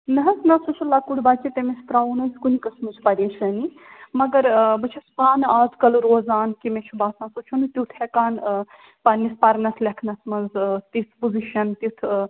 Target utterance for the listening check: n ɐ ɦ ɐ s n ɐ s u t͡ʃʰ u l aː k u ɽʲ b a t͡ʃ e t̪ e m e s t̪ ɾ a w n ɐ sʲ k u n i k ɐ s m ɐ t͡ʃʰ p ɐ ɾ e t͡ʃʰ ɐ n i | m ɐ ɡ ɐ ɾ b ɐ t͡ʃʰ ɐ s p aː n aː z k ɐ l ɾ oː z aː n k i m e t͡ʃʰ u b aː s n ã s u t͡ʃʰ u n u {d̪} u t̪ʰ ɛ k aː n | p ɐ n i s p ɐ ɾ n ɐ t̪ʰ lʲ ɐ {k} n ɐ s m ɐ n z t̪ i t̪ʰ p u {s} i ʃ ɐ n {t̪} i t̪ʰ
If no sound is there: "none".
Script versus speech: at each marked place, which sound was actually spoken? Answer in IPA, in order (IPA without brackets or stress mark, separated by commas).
t̪, kʰ, z, t̪